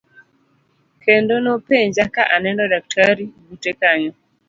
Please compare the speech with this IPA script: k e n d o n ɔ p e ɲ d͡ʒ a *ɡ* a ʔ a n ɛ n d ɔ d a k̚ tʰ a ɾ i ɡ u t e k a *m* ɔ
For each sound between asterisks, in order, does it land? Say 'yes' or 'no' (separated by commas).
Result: no, no